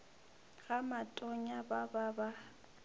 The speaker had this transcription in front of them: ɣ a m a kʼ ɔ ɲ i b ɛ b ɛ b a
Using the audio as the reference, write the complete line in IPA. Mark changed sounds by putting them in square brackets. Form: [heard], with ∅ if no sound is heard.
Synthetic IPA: ɣ a m a [tʼ] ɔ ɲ [a] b [a] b [a] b a